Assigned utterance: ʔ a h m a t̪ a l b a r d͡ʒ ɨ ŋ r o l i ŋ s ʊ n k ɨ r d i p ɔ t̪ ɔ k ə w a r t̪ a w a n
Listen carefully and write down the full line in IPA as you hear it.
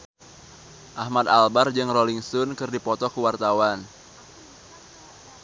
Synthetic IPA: ʔ a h m a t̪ a l b a r d͡ʒ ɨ ŋ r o l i ŋ s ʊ n k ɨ r d i p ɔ t̪ ɔ k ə w a r t̪ a w a n